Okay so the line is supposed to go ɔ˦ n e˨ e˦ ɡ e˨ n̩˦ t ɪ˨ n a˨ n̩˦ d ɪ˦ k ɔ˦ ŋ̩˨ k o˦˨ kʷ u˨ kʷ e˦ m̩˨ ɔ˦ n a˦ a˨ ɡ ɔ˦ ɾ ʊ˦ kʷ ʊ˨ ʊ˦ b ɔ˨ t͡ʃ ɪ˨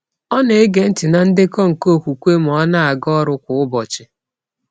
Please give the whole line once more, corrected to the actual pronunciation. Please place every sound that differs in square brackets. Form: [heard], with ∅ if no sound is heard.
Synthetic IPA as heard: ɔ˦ n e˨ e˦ ɡ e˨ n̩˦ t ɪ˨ n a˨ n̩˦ d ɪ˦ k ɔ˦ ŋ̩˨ k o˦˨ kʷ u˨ kʷ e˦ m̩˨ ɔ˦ n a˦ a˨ ɡ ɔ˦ ɾ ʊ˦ kʷ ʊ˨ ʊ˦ b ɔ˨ t͡ʃ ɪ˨